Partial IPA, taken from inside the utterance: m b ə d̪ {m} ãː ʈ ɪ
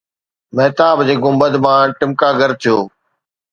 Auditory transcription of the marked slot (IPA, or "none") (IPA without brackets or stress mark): m